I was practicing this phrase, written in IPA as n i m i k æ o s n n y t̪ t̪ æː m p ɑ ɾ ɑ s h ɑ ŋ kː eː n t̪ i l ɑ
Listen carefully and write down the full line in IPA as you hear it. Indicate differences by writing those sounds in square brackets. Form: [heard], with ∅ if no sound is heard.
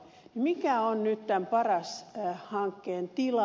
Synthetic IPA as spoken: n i m i k æ o [∅] n n y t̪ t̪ [æ] m p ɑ [r] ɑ s h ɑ ŋ kː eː n t̪ i l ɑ